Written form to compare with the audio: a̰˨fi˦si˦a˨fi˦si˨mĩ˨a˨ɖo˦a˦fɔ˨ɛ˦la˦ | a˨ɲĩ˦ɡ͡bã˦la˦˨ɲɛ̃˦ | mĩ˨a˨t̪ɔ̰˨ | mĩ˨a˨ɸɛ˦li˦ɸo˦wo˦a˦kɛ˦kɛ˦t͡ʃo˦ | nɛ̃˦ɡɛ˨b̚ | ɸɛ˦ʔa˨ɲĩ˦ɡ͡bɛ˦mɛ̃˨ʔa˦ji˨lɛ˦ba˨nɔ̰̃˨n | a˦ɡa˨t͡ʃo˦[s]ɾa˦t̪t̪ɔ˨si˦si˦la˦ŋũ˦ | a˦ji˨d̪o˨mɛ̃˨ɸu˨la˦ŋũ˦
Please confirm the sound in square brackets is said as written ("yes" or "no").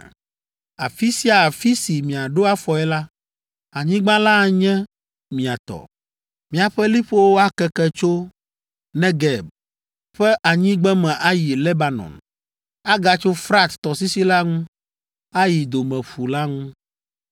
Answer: no